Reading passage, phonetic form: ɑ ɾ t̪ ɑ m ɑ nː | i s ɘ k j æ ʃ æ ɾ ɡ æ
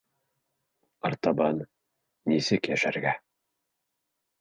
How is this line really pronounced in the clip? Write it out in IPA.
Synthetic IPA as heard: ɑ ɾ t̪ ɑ b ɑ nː | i s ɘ k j æ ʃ æ ɾ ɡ æ